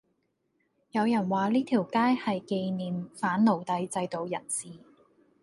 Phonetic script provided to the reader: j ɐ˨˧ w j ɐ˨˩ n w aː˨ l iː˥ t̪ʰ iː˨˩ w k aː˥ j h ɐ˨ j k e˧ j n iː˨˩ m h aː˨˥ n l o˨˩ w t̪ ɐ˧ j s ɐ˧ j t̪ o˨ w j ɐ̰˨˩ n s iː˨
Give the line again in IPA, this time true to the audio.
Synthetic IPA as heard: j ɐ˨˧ w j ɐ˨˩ n w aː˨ l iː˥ t̪ʰ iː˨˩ w k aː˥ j h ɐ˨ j k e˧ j n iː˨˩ m f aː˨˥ n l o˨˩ w t̪ ɐ˧ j t͡s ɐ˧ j t̪ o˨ w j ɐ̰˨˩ n s iː˨